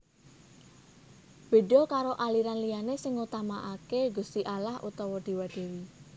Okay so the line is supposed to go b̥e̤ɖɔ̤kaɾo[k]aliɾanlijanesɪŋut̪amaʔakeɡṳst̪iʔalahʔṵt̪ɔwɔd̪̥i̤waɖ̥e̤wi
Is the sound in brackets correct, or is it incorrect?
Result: incorrect